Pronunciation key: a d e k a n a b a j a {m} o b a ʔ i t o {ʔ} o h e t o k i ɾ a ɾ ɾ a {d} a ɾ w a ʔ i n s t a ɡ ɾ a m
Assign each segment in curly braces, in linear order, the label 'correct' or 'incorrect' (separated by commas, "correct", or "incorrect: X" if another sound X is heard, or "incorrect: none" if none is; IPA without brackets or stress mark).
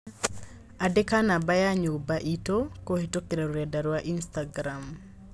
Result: incorrect: ɲ, incorrect: k, correct